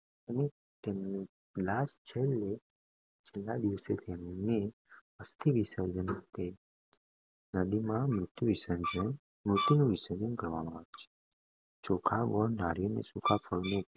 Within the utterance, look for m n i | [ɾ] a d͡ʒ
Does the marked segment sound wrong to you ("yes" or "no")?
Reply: yes